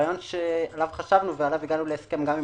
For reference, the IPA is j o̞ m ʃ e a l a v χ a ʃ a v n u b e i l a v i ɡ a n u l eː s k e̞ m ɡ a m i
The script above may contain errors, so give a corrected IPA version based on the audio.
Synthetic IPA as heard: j o̞ n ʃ e a l a v χ a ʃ a v n u v e a l a v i ɡ a n u l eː s k e̞ m ɡ a m i